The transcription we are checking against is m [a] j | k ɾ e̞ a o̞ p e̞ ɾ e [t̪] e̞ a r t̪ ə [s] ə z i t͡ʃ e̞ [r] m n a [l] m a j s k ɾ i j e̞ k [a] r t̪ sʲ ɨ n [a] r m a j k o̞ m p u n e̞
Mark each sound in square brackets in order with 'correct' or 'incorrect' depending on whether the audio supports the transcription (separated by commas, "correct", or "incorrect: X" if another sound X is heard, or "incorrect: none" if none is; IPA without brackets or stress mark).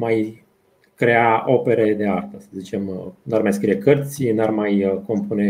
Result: correct, incorrect: d̪, correct, incorrect: none, incorrect: r, incorrect: ə, correct